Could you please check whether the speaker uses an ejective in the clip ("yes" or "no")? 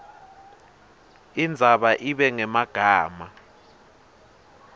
no